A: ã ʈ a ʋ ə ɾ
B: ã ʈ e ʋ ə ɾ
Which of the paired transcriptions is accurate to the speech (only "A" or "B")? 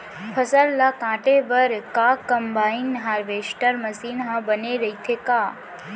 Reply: B